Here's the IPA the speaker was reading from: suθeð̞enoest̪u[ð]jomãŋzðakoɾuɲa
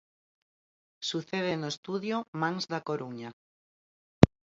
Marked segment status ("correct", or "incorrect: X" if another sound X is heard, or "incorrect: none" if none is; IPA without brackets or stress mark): correct